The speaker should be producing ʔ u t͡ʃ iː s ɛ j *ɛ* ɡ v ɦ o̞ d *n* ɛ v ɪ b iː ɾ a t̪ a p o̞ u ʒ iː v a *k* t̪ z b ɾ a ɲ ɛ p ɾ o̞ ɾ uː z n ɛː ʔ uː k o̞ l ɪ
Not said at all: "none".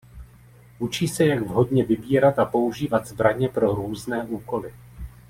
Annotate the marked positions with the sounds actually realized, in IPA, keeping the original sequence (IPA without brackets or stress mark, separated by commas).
a, ɲ, none